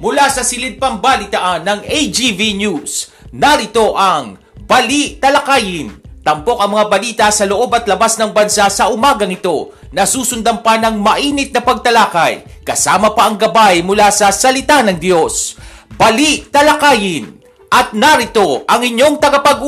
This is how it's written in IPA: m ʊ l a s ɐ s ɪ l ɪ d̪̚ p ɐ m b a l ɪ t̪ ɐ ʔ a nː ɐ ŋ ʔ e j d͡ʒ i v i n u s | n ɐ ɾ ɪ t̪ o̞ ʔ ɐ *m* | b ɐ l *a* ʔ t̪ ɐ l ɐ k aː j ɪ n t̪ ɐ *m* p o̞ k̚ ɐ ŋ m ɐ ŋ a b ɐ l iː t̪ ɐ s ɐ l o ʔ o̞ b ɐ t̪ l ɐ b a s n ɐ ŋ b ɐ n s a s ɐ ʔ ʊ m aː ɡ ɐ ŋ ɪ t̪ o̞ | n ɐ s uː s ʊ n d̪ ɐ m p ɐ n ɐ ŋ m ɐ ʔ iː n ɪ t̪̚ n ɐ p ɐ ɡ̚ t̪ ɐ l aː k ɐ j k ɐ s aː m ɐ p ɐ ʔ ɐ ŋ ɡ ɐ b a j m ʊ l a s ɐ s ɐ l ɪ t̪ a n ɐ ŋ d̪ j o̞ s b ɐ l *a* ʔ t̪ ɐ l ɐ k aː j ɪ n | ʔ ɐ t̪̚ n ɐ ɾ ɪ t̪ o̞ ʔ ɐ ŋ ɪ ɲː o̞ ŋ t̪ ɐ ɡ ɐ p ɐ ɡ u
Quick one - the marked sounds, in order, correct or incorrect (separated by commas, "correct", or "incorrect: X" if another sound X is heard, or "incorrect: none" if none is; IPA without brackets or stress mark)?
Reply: incorrect: ŋ, incorrect: i, correct, incorrect: i